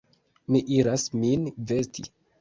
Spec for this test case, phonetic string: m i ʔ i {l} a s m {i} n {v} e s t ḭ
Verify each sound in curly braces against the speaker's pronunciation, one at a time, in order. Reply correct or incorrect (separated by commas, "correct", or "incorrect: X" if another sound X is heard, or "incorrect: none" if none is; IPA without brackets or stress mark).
incorrect: ɾ, correct, correct